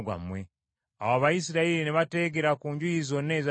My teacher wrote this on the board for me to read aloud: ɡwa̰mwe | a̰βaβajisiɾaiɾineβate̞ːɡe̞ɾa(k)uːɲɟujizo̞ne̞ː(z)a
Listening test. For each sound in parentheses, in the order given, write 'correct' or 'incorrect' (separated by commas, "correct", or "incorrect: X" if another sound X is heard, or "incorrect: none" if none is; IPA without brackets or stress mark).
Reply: correct, correct